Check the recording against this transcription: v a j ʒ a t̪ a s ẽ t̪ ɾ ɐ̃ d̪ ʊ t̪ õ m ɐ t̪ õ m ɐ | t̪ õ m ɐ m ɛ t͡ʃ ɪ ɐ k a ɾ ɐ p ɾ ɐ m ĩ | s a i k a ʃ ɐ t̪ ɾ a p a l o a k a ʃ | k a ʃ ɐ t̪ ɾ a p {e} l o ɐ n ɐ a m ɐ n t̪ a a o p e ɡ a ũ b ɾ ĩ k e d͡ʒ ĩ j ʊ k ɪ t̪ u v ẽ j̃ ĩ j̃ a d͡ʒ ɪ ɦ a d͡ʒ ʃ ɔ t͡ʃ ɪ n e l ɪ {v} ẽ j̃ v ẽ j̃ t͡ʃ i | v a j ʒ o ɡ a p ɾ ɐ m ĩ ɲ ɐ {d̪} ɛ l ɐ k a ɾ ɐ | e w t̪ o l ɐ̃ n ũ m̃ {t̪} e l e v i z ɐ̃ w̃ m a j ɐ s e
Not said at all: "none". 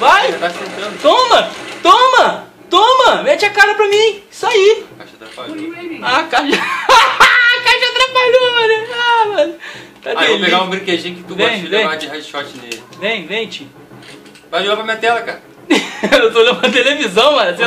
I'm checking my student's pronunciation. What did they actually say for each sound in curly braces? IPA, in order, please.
a, v, t̪, t̪

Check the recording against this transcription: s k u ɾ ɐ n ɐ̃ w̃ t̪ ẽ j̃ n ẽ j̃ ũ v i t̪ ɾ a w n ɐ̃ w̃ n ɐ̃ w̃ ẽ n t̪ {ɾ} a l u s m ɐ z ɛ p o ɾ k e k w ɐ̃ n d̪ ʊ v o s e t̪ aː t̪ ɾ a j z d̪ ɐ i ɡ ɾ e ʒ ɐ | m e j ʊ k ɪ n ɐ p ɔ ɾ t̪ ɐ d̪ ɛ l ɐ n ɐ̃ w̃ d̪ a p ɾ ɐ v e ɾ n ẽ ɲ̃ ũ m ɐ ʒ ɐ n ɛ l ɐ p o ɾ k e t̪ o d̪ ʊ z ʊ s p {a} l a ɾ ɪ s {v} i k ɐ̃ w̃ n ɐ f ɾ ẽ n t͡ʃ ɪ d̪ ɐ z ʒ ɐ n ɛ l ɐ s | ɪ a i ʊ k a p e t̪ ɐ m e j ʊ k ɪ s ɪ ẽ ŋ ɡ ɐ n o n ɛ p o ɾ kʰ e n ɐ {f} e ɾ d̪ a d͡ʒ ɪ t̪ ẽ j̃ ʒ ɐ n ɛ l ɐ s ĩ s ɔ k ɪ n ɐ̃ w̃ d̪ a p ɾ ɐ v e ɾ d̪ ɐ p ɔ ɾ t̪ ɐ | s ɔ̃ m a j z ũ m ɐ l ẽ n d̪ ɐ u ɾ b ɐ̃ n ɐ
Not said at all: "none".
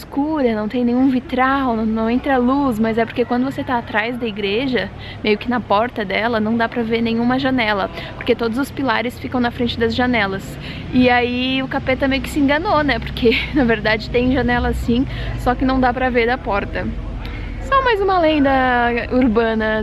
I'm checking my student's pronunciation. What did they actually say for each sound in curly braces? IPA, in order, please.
ɾ, i, f, v

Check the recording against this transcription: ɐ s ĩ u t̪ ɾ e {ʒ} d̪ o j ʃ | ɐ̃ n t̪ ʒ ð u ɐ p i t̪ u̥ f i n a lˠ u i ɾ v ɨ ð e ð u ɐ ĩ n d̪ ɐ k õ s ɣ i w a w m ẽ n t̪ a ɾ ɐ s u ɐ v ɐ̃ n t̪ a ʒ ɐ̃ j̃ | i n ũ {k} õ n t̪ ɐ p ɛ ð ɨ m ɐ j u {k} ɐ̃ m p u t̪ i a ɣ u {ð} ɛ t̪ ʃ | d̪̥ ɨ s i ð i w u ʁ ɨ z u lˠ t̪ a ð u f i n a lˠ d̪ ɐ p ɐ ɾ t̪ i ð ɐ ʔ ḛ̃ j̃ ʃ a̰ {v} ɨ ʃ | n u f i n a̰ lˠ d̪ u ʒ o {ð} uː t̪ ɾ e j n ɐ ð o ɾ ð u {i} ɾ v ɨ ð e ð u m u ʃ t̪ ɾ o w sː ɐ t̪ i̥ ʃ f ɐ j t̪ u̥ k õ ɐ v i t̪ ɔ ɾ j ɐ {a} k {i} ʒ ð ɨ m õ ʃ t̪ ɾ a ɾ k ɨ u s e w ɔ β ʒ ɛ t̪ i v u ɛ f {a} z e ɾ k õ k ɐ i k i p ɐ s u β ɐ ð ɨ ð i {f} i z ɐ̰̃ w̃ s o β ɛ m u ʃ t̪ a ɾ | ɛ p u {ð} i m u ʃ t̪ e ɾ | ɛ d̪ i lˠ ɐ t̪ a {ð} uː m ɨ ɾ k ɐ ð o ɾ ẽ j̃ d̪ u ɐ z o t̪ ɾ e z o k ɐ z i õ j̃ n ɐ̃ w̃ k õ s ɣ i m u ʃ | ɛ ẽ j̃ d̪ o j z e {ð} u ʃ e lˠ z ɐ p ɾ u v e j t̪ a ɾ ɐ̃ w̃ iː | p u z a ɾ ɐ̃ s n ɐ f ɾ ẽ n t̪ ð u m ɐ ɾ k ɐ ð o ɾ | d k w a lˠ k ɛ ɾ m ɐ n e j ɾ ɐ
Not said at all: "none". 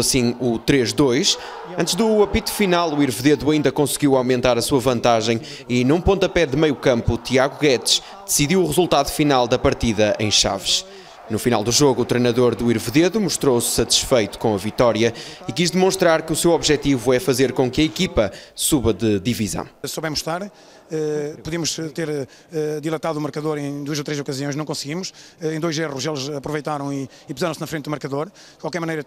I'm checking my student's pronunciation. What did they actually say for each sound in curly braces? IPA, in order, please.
ʒ, p, k, ɣ, v, ɣ, i, i, i, ɐ, v, ð, ð, ʁ

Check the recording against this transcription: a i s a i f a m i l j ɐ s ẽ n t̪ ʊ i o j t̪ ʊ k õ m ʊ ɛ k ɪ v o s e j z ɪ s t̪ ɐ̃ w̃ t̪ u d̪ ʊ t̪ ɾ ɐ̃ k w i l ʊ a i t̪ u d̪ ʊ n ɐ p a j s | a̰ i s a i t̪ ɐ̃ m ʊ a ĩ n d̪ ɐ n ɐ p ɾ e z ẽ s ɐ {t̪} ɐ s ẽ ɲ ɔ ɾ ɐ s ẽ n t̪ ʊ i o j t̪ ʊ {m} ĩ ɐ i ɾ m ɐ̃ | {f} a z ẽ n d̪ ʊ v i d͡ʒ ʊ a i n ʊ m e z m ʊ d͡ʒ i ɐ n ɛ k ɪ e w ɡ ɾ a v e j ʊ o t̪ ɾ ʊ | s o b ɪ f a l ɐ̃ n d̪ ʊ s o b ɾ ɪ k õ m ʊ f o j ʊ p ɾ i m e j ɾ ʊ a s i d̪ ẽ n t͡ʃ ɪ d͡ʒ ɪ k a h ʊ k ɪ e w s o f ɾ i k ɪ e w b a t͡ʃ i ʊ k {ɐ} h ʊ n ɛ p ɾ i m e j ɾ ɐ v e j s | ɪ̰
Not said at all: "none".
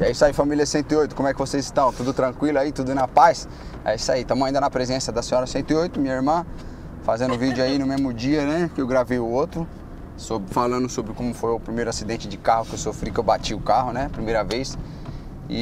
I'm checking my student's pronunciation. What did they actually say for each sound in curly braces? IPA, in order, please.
d̪, m, f, a

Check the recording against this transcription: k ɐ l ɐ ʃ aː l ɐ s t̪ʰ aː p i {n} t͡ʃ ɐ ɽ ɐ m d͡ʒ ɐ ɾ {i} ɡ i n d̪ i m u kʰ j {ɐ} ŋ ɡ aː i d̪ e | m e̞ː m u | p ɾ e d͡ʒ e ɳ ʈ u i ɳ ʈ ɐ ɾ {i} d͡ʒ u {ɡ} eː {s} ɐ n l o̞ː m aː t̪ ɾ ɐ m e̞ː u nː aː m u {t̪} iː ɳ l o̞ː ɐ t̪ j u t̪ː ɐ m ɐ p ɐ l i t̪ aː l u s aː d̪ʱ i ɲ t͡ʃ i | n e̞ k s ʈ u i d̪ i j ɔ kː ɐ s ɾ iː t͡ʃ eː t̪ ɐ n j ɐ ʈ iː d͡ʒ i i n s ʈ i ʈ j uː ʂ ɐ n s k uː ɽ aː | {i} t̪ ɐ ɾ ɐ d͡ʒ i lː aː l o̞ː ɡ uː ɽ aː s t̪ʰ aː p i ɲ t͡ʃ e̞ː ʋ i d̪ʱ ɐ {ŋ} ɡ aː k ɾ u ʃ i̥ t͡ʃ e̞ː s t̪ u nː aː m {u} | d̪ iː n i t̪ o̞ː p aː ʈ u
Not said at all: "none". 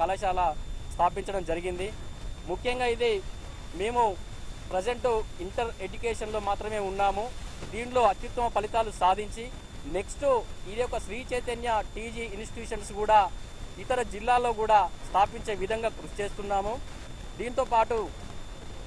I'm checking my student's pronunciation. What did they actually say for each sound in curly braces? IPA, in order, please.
ɲ, i, ɐ, e, k, ʂ, d̪, i, ŋ, u

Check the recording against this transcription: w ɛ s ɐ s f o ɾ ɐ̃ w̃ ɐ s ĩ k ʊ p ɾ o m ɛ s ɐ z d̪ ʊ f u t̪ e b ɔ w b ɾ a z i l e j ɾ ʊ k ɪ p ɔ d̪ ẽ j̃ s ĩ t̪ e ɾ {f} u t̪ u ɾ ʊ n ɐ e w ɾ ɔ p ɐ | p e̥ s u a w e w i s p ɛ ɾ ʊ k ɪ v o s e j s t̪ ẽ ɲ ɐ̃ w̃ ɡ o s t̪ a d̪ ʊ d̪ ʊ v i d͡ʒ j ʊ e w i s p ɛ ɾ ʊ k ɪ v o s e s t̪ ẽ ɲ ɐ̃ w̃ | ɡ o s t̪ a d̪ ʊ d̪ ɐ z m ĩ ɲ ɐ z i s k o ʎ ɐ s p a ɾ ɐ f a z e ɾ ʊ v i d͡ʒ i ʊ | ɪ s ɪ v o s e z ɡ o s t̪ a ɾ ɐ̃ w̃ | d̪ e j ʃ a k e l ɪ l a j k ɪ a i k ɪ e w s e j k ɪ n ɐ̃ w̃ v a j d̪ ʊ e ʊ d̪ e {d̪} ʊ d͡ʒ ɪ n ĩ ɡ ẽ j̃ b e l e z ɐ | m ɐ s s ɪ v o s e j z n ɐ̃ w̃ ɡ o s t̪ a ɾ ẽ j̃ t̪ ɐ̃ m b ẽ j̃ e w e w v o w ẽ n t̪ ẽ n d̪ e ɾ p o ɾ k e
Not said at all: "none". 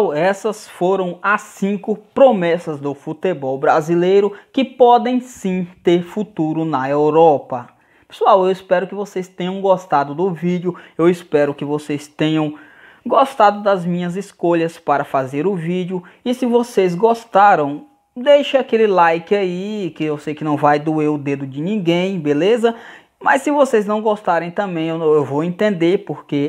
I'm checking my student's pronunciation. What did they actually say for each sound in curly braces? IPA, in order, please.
f, d̪

